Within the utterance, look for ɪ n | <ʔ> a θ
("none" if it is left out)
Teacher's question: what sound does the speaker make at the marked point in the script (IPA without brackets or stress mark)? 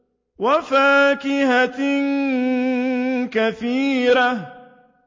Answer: k